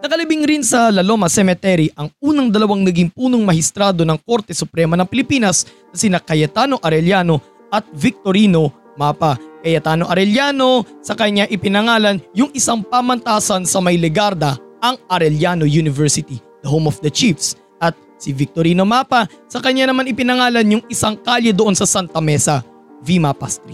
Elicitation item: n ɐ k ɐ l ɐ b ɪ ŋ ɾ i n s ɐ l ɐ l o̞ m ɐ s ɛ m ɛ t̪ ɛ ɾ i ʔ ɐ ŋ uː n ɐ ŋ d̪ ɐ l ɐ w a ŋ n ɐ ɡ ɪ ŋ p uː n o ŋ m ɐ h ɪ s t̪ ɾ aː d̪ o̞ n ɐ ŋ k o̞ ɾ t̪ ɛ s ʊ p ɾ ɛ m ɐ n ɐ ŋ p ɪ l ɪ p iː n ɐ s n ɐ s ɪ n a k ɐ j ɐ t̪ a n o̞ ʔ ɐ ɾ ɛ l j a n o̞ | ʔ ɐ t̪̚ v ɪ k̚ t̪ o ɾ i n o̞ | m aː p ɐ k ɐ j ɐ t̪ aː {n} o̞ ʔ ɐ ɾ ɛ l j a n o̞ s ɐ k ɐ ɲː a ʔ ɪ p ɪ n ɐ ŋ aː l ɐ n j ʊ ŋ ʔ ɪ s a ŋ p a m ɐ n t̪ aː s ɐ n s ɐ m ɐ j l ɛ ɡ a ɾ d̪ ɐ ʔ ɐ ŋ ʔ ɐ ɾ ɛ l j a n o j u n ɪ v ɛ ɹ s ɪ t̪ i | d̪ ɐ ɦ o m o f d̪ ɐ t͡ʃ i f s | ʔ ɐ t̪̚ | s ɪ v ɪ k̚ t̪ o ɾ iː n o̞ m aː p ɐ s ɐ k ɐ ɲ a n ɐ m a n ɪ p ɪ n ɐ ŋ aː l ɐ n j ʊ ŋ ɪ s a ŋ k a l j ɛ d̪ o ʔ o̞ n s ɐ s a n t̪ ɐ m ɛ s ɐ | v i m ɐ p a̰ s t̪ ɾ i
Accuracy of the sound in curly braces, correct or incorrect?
correct